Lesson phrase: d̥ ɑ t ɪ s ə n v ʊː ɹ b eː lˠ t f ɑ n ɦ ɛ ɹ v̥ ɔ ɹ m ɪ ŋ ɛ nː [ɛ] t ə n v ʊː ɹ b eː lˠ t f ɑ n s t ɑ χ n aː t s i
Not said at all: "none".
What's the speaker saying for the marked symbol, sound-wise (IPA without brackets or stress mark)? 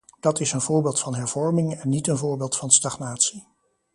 i